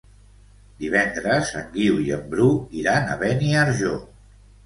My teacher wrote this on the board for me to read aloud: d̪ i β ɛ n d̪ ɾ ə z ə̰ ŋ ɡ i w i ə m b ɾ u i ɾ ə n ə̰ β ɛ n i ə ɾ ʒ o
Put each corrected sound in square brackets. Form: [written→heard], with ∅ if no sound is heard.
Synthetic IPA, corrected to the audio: d̪ i β ɛ n d̪ ɾ ə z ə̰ ŋ ɡ i w i ə m b ɾ u i ɾ [ə→a] n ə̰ β ɛ n i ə ɾ ʒ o